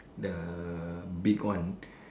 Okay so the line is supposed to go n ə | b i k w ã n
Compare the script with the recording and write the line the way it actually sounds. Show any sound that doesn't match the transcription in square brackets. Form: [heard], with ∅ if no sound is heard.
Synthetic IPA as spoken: [d] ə | b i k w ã n